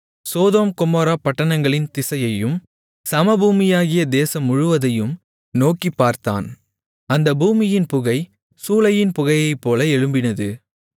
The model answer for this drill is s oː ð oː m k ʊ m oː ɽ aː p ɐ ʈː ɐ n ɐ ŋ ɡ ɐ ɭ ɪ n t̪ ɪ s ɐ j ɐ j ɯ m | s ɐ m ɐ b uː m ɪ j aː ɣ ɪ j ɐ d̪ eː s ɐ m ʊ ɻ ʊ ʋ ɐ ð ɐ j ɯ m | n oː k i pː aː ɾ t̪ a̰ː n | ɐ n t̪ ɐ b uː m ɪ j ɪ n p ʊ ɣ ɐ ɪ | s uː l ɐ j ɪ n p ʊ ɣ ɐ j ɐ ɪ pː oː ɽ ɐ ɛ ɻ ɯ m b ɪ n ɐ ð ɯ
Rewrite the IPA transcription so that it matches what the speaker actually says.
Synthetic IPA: s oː ð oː m k ʊ m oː ɾ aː p ɐ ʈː ɐ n ɐ ŋ ɡ ɐ ɭ ɪ n t̪ ɪ s ɐ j ɐ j ɯ m | s ɐ m ɐ b uː m ɪ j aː ɣ ɪ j ɐ d̪ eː s ɐ m ʊ ɻ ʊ ʋ ɐ ð ɐ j ɯ m | n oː k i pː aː ɾ t̪ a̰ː n | ɐ n d̪ ɐ b uː m ɪ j ɪ n p ʊ ɣ ɐ ɪ | s uː l ɐ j ɪ n p ʊ ɣ ɐ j ɐ ɪ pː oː l ɐ ɛ ɻ ɯ m b ɪ n ɐ ð ɯ